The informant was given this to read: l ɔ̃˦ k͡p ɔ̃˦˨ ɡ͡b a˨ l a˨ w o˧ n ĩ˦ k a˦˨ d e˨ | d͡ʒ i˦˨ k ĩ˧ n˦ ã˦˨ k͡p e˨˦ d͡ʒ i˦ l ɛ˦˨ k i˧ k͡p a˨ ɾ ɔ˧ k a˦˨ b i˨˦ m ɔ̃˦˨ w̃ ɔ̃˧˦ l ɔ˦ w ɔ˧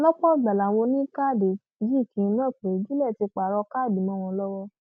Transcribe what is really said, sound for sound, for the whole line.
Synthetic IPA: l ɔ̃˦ k͡p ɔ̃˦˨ ɡ͡b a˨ l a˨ w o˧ n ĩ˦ k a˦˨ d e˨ | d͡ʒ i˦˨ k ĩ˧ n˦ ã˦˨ k͡p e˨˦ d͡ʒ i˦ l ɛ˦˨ t i˧ k͡p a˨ ɾ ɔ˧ k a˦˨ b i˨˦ m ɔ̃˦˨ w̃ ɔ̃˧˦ l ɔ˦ w ɔ˧